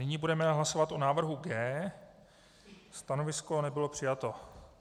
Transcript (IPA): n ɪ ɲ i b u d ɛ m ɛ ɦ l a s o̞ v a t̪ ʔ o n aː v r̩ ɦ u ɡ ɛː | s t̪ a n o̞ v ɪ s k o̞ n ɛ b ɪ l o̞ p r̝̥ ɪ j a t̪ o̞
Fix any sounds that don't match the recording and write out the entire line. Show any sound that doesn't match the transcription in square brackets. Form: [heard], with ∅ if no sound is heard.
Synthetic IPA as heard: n ɪ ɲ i b u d ɛ m ɛ ɦ l a s o̞ v a t̪ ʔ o n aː v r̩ ɦ u ɡ ɛː | s t̪ a n o̞ v ɪ s k o̞ n ɛ b ɪ l o̞ p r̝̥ ɪ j a t̪ o̞